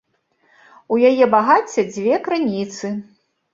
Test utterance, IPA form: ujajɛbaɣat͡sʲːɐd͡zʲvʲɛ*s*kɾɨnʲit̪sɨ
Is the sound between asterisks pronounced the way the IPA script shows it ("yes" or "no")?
no